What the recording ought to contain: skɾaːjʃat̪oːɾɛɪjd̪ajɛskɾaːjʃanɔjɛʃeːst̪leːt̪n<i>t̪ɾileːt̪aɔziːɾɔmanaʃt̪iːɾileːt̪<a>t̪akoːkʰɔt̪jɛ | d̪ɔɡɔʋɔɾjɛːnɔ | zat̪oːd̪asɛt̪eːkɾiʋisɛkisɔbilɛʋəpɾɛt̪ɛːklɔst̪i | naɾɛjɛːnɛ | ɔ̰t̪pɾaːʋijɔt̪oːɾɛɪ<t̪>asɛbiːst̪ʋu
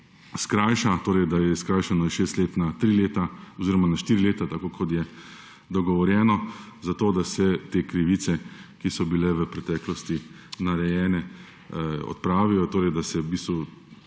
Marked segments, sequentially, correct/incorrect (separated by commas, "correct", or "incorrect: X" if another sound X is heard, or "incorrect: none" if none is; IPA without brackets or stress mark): incorrect: a, correct, incorrect: d̪